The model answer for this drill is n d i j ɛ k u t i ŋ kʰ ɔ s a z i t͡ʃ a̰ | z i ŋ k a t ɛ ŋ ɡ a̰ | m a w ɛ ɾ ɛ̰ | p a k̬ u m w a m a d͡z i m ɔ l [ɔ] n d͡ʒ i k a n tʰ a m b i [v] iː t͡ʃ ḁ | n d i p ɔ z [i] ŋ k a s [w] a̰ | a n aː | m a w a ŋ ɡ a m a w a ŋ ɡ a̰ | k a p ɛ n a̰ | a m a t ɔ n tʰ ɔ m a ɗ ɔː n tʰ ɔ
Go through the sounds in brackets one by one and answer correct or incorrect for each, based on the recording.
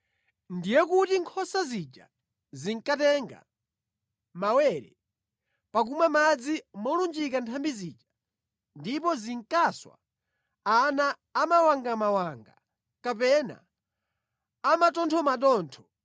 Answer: incorrect: u, incorrect: z, correct, correct

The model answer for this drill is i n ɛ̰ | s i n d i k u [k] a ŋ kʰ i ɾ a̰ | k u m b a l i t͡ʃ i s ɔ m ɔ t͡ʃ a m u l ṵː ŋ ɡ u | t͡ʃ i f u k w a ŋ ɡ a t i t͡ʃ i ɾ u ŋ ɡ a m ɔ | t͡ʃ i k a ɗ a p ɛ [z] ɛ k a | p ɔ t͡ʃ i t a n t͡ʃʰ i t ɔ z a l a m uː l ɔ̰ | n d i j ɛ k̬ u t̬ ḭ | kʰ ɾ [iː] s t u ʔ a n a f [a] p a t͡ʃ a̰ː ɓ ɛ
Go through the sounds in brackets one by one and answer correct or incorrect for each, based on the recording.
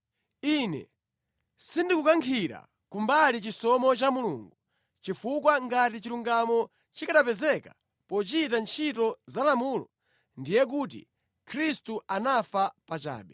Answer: correct, correct, incorrect: i, correct

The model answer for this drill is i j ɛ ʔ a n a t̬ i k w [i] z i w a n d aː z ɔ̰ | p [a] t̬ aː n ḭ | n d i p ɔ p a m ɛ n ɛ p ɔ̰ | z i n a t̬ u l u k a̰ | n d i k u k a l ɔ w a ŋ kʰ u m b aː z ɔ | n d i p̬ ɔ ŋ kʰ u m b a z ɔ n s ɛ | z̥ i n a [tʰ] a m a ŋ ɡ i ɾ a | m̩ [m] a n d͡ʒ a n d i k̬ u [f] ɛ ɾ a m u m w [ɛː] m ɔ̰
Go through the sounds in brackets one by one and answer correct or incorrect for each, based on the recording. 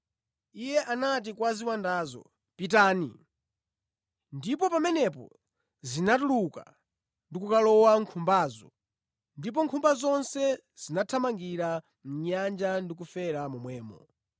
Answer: incorrect: a, incorrect: i, correct, incorrect: ɲ, correct, correct

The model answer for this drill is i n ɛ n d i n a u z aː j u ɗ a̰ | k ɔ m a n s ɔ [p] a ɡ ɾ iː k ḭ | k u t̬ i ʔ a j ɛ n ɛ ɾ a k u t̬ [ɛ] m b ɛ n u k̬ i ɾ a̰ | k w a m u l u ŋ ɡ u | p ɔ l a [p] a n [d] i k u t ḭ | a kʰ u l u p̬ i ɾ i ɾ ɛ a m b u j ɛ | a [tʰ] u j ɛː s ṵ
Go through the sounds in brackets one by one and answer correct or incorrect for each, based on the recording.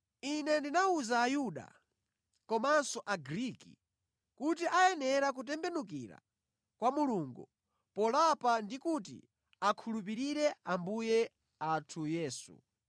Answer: incorrect: ʔ, correct, correct, correct, correct

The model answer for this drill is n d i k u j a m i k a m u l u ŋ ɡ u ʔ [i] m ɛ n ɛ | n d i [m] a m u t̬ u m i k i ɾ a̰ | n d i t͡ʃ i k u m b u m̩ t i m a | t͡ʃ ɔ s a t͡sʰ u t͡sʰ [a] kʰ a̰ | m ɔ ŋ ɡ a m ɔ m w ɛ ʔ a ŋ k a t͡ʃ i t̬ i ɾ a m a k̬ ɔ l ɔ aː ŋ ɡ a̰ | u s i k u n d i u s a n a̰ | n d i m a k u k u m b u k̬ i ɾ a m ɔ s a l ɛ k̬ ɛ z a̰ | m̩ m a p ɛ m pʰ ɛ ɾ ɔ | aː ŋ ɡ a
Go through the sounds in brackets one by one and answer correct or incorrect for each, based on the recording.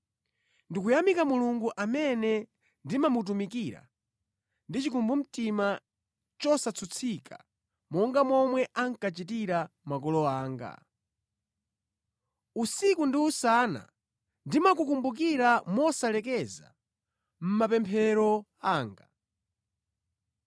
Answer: incorrect: a, correct, incorrect: i

